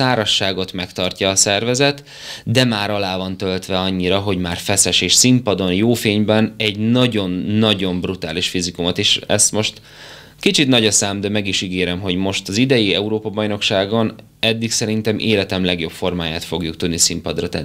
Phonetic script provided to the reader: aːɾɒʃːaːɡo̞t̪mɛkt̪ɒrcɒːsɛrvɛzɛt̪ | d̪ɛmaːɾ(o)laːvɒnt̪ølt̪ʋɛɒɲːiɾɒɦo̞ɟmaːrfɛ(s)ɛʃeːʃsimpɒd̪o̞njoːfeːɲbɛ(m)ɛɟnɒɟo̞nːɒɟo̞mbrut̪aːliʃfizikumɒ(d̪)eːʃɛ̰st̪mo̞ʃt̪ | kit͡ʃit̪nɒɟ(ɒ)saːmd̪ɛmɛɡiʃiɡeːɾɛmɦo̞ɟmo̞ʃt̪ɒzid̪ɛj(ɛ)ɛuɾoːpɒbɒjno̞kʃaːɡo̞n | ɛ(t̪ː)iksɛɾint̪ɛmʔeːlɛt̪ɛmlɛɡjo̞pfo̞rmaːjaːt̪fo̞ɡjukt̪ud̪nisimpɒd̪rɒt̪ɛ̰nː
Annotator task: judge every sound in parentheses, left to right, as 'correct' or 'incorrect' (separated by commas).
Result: incorrect, correct, incorrect, incorrect, correct, incorrect, incorrect